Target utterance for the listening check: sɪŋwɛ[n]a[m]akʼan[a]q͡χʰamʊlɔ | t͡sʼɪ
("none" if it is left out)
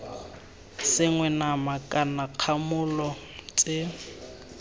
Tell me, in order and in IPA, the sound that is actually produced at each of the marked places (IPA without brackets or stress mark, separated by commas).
n, m, a